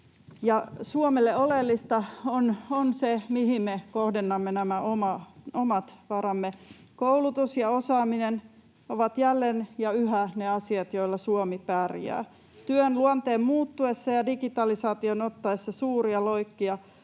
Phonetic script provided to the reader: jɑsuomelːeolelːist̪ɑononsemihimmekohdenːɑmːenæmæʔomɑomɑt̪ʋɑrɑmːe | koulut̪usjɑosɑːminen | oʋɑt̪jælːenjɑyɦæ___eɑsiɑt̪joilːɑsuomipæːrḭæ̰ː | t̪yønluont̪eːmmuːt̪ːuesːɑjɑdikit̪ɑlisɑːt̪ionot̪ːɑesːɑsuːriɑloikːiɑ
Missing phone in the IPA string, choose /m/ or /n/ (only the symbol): n